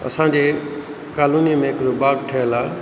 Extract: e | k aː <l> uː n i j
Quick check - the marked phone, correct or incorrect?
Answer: correct